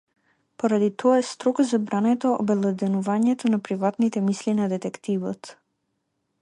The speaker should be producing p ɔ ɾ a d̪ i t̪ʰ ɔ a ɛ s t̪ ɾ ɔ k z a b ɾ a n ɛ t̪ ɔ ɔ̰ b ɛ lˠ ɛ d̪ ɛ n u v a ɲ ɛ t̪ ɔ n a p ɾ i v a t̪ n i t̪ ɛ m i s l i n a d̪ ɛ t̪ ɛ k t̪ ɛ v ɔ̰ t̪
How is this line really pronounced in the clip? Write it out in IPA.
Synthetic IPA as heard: p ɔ ɾ a d̪ i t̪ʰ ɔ a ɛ s t̪ ɾ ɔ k z a b ɾ a n ɛ t̪ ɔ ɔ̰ b ɛ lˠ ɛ d̪ ɛ n u v a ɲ ɛ t̪ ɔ n a p ɾ i v a t̪ n i t̪ ɛ m i s l i n a d̪ ɛ t̪ ɛ k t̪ i v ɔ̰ t̪

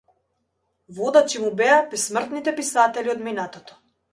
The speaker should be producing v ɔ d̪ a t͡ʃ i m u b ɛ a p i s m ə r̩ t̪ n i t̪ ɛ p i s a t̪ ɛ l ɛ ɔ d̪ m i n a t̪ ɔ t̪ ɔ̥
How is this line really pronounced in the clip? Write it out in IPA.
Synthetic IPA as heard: v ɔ d̪ a t͡ʃ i m u b ɛ a p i s m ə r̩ t̪ n i t̪ ɛ p i s a t̪ ɛ l i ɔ d̪ m i n a t̪ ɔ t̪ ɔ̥

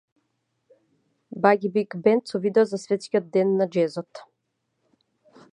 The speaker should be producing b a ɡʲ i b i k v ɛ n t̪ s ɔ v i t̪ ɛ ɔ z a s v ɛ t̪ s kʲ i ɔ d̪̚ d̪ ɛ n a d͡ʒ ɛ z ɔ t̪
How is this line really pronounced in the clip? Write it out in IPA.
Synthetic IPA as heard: b a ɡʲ i b i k b ɛ n t̪ s ɔ v i d̪ ɛ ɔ z a s v ɛ t̪ s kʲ i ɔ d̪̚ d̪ ɛ nː a d͡ʒ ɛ z ɔ t̪

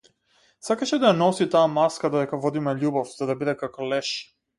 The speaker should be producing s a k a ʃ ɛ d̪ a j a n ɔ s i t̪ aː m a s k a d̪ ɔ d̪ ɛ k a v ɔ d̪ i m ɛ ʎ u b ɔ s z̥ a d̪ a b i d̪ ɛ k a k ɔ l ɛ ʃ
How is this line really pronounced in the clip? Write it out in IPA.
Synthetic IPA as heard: s a k a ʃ ɛ d̪ a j a n ɔ s i t̪ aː m a s k a d̪ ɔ d̪ ɛ k a v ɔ d̪ i m ɛ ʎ u b ɔ f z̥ a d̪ a b i d̪ ɛ k a k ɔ l ɛ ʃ

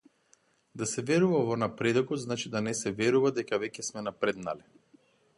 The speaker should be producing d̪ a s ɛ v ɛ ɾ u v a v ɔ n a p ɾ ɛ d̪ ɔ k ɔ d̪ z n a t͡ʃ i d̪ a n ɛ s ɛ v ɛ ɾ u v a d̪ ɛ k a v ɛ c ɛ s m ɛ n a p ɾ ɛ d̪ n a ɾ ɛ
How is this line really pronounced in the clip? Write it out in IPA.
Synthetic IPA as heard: d̪ a s ɛ v ɛ ɾ u v a v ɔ n a p ɾ ɛ d̪ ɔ k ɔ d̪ z n a t͡ʃ i d̪ a n ɛ s ɛ v ɛ ɾ u v a d̪ ɛ k a v ɛ c ɛ s m ɛ n a p ɾ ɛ d̪ n a l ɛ

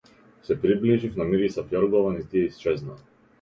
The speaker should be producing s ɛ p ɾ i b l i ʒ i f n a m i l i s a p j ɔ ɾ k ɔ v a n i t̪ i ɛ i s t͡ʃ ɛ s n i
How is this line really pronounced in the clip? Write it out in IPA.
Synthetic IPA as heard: s ɛ p ɾ i b l i ʒ i f n a m i ɾ i s a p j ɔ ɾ ɡ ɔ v a n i t̪ i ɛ i s t͡ʃ ɛ z n a

